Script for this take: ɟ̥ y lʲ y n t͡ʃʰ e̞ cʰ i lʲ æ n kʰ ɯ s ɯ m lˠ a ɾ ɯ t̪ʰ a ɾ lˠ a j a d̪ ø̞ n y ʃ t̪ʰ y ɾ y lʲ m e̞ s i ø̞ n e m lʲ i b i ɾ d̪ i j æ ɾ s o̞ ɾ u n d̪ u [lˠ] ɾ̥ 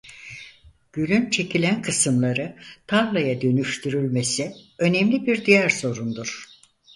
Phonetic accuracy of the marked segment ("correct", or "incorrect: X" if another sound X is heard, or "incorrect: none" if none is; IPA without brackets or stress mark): incorrect: none